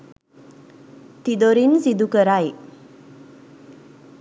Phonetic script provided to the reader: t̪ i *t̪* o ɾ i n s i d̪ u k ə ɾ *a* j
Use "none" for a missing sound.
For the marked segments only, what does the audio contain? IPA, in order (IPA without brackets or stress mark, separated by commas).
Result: d̪, a